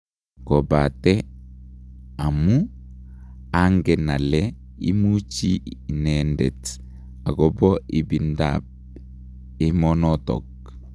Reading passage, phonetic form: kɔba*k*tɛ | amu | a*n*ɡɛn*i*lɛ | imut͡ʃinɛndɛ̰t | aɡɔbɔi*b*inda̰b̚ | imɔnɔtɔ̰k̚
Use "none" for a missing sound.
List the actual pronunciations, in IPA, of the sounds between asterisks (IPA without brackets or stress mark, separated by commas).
none, ŋ, a, b